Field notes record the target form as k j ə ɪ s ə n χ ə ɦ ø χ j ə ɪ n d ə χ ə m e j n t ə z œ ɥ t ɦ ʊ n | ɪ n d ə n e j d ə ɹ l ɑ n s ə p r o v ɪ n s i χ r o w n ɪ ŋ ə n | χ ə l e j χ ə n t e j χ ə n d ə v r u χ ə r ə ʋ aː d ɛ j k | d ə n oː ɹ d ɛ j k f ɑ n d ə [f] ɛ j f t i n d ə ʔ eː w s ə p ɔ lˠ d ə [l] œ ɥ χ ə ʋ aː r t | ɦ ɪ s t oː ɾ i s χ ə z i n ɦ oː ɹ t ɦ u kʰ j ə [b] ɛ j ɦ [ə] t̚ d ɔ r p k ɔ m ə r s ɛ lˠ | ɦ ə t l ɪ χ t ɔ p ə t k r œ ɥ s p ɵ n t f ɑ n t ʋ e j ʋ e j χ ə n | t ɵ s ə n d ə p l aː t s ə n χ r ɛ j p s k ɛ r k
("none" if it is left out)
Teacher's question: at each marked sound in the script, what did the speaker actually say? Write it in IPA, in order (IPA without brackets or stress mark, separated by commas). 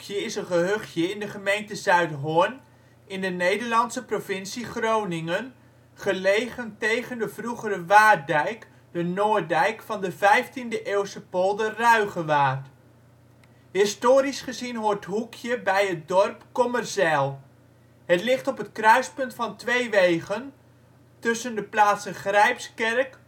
v, r, b, ə